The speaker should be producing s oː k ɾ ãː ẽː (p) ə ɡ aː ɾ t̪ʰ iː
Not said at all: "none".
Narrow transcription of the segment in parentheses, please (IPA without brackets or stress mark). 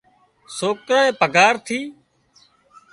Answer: p